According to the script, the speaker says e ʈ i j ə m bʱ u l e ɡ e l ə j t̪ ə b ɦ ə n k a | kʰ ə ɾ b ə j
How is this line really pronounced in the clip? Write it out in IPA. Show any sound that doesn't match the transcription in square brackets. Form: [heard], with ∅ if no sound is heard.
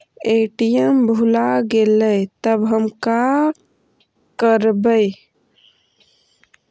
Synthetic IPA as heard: e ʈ i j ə m bʱ u l [a] ɡ e l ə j t̪ ə b ɦ ə [m] k a | [k] ə ɾ b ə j